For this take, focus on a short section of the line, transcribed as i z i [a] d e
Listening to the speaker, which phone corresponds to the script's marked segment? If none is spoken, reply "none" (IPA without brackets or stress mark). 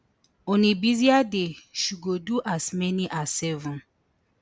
a